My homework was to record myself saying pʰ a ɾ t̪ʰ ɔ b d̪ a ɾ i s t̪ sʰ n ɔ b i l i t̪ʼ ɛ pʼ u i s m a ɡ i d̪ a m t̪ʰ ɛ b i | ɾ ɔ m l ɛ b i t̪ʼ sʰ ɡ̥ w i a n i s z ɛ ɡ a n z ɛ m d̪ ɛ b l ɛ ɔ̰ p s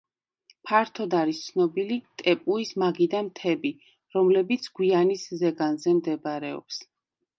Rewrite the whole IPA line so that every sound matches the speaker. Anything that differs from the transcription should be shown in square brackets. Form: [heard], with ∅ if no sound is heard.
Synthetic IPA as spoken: pʰ a ɾ t̪ʰ ɔ [∅] d̪ a ɾ i s t̪ sʰ n ɔ b i l i t̪ʼ ɛ pʼ u i s m a ɡ i d̪ a m t̪ʰ ɛ b i | ɾ ɔ m l ɛ b i [t̪] sʰ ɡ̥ w i a n i s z ɛ ɡ a n z ɛ m d̪ ɛ b [ɾ] ɛ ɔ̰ p s